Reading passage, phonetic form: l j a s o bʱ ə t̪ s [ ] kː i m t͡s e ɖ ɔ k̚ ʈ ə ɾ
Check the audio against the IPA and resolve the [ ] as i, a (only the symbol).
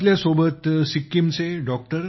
i